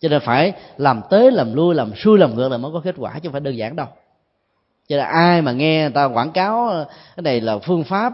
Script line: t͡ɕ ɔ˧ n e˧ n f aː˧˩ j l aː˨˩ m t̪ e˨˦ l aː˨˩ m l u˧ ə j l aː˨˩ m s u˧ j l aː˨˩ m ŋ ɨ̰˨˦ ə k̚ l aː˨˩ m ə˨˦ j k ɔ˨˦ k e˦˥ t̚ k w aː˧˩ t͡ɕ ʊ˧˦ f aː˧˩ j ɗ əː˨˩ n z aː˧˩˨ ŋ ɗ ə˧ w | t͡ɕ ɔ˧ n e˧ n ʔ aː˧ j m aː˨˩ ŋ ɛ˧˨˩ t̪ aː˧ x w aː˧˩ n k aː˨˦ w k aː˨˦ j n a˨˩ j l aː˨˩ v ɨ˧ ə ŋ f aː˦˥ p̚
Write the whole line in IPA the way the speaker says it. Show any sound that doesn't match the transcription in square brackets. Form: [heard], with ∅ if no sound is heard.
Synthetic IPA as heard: t͡ɕ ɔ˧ n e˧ n f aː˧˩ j l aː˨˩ m t̪ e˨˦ l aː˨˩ m l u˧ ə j l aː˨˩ m s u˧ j l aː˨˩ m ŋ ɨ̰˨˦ ə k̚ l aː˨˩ m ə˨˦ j k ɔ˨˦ k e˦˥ t̚ k w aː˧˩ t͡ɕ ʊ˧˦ f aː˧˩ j ɗ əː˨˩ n z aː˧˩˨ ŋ ɗ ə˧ w | t͡ɕ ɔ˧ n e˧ n ʔ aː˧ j m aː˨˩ ŋ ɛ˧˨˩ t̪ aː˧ [k] w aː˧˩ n k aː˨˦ w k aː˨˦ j n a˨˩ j l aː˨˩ [f] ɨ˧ ə ŋ f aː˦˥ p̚